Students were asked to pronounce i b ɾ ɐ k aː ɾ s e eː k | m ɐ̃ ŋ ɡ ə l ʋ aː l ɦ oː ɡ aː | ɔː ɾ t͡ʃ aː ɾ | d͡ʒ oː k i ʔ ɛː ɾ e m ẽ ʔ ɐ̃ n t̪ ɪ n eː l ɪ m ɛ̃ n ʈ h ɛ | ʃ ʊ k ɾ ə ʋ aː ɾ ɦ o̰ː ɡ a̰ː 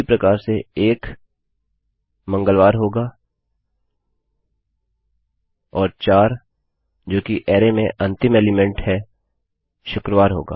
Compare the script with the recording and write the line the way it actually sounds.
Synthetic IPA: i p ɾ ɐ k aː ɾ s e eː k | m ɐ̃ ŋ ɡ ə l ʋ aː ɾ ɦ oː ɡ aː | ɔː ɾ t͡ʃ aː ɾ | d͡ʒ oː k i ʔ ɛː ɾ e m ẽ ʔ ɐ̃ n t̪ ɪ m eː l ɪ m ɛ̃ ɳ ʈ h ɛ | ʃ ʊ k ɾ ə ʋ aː ɾ ɦ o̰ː ɡ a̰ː